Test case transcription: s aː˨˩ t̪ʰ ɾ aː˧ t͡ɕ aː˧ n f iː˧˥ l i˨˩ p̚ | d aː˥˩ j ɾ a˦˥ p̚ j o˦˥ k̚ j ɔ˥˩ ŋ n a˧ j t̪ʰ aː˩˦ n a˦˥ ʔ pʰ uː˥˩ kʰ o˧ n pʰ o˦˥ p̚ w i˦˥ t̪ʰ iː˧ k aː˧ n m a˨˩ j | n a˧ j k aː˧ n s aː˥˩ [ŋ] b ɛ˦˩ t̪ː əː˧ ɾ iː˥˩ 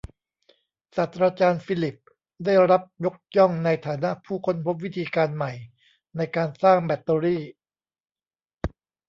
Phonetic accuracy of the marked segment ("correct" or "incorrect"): correct